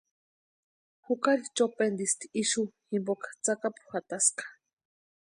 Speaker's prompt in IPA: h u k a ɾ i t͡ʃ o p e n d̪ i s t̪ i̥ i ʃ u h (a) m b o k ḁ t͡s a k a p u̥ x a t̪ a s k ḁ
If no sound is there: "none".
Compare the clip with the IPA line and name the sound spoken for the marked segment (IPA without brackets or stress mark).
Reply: i